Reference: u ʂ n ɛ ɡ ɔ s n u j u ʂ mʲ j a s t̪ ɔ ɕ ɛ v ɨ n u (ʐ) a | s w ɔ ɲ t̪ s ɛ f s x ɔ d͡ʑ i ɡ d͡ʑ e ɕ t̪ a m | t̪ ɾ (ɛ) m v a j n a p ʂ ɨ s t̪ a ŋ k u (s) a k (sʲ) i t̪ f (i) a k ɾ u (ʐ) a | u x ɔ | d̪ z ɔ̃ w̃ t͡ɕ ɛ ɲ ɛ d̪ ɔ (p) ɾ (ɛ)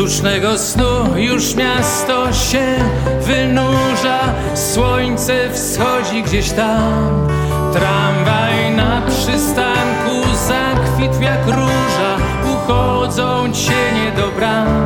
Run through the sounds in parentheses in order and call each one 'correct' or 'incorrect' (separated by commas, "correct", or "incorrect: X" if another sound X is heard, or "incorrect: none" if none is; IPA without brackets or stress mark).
correct, incorrect: a, incorrect: z, incorrect: fʲ, incorrect: j, correct, incorrect: b, incorrect: a